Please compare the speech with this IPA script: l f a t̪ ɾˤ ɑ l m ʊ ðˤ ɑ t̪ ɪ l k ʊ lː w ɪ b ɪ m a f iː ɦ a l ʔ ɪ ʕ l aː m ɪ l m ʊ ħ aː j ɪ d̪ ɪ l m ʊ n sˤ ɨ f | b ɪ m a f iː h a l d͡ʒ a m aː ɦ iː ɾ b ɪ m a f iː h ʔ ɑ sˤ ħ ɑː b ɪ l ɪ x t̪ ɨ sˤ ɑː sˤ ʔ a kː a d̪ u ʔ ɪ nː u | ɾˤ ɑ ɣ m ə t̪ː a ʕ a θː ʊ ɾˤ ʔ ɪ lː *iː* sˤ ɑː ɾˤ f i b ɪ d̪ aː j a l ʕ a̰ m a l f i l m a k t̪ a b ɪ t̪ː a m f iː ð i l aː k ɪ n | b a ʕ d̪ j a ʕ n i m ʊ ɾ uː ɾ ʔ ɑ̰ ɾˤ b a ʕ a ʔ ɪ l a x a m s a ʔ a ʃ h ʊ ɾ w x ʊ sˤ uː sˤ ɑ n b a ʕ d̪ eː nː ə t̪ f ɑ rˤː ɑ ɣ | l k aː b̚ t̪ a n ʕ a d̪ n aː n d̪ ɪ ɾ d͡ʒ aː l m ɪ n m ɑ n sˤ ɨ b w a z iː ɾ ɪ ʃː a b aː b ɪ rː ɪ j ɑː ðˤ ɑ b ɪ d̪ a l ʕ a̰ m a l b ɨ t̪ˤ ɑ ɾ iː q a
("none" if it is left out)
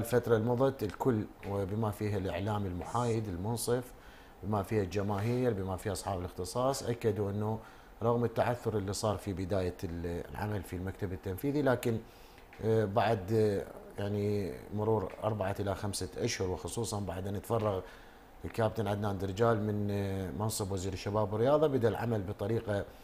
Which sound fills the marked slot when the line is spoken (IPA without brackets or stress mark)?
i